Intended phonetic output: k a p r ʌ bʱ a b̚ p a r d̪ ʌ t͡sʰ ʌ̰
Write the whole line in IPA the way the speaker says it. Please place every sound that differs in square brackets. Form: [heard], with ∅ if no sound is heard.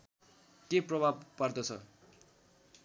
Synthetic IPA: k [e] p r ʌ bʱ a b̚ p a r d̪ ʌ t͡sʰ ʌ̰